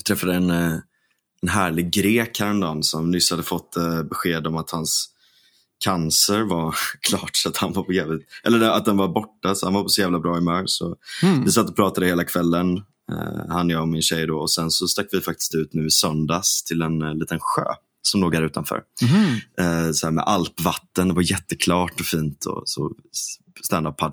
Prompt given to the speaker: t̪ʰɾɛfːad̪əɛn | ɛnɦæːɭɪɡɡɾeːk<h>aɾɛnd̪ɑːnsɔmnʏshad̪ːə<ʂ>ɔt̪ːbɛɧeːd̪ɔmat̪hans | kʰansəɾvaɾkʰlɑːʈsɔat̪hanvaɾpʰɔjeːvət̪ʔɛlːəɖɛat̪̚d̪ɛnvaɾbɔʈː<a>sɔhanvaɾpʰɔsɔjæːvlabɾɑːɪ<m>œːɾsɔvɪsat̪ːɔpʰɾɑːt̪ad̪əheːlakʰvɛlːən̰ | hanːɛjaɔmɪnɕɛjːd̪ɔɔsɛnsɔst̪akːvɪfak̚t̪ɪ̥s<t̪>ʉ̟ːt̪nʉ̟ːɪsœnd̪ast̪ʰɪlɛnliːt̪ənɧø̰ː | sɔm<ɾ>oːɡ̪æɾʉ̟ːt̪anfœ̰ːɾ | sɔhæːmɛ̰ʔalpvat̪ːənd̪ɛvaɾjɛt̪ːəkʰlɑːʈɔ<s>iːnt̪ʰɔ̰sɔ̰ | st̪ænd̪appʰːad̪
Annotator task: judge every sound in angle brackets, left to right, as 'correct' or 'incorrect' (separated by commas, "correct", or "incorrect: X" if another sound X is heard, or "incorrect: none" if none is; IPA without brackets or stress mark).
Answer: correct, incorrect: f, correct, correct, correct, incorrect: l, incorrect: f